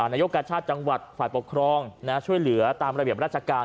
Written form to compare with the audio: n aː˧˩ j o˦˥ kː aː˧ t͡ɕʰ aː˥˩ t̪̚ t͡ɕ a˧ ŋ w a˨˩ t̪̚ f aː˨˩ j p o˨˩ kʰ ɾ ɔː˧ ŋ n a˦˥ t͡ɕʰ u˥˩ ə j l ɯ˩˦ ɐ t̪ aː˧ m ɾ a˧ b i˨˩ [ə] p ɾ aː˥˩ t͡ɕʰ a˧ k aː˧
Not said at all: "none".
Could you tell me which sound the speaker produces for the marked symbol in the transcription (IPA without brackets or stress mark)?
ə